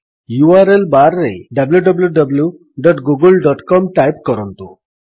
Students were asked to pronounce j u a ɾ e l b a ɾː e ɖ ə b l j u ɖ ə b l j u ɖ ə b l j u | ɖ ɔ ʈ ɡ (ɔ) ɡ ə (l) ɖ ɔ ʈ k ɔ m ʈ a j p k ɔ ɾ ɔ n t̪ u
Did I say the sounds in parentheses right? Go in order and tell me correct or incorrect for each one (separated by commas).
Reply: incorrect, correct